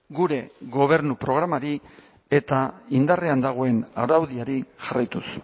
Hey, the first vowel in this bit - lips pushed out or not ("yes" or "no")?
yes